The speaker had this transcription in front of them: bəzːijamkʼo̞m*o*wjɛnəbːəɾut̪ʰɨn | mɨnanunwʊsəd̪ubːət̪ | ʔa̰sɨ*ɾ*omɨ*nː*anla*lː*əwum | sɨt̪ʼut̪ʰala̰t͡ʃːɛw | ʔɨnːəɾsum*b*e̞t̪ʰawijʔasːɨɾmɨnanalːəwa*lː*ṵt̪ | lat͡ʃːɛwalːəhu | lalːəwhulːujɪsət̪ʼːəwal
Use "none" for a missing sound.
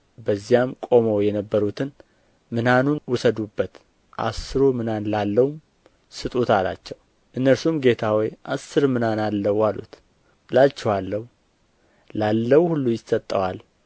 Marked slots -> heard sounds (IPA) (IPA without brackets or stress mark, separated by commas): o, ɾ, n, lː, ɡ, l